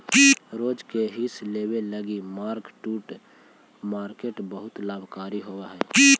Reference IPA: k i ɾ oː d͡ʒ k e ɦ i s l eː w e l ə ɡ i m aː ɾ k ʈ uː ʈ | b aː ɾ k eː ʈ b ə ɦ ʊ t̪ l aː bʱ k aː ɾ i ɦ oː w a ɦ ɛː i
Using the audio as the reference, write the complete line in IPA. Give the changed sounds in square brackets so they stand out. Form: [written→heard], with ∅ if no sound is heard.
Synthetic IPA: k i ɾ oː d͡ʒ k e ɦ i s l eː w e l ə ɡ i m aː ɾ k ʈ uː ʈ | [b→m] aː ɾ k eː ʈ b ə ɦ ʊ t̪ l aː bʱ k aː ɾ i ɦ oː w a ɦ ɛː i